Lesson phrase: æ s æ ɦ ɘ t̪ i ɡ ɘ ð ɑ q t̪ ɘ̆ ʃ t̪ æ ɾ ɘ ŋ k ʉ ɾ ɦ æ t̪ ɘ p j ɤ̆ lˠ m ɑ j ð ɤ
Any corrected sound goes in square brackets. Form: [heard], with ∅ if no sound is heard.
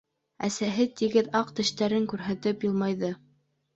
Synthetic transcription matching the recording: æ s æ ɦ ɘ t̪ i ɡ ɘ ð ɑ q t̪ ɘ̆ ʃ t̪ æ ɾ ɘ ŋ k ʉ ɾ ɦ æ t̪ ɘ p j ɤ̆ lˠ m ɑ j ð ɤ